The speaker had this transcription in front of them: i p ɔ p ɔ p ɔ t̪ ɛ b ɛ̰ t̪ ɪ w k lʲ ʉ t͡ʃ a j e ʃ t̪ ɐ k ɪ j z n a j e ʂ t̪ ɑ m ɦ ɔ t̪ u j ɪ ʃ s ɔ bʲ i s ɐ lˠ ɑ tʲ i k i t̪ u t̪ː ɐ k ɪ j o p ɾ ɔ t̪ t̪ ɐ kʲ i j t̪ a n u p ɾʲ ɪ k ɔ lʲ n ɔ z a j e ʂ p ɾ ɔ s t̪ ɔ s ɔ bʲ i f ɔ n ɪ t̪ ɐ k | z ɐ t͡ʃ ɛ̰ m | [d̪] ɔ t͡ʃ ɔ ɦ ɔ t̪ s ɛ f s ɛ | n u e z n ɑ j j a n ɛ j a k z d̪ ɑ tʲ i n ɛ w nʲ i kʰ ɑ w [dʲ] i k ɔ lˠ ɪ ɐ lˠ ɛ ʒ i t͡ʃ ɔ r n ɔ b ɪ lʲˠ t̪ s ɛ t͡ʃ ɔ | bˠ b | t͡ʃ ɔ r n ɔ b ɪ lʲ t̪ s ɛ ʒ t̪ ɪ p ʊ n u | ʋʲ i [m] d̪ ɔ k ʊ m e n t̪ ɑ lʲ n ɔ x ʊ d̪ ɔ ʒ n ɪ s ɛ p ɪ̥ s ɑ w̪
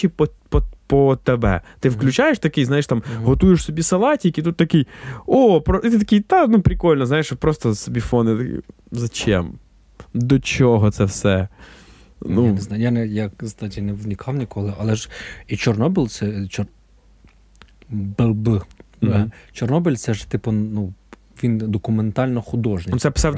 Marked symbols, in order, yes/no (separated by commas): yes, no, no